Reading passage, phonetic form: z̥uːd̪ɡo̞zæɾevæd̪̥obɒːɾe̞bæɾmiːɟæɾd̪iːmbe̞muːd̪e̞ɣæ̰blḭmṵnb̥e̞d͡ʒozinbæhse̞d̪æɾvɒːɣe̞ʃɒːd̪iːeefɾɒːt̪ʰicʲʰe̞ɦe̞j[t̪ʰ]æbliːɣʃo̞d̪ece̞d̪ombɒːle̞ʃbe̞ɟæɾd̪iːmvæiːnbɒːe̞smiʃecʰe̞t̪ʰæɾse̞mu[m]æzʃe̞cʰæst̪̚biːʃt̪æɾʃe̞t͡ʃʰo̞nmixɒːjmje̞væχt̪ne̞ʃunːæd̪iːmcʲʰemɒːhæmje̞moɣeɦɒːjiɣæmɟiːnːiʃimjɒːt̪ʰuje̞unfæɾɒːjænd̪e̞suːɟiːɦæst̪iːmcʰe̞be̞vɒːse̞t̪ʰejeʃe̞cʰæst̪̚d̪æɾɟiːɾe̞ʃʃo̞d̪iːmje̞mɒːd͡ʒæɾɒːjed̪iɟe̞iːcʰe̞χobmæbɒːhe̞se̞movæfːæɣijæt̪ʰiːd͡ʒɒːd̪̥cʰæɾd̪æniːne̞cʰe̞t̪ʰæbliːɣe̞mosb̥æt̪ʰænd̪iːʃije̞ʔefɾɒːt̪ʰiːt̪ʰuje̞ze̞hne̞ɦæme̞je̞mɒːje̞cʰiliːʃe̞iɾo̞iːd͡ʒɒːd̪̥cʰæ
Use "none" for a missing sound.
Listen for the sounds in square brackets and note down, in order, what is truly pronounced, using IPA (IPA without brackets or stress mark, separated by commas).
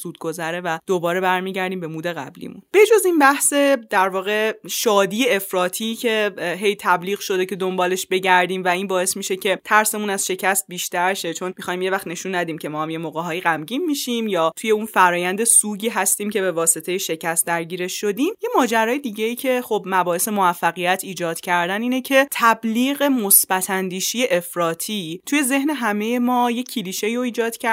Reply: t̪ʰ, n